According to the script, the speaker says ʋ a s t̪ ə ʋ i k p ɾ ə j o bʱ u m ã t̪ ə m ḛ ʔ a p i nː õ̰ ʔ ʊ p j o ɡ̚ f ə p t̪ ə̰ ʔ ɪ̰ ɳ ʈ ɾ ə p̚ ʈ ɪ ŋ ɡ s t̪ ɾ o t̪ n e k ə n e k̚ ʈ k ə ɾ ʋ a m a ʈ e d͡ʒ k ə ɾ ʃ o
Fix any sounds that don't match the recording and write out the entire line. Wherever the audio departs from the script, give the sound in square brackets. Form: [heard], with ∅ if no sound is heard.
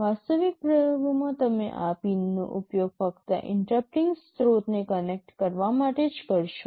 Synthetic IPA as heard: ʋ a s t̪ ə ʋ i k p ɾ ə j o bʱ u m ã t̪ ə m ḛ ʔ a p i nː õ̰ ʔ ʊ p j o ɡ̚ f ə [k] t̪ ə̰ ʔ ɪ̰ ɳ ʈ ɾ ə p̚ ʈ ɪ ŋ ɡ s t̪ ɾ o t̪ n e k ə n e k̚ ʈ k ə ɾ ʋ a m a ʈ e d͡ʒ k ə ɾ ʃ o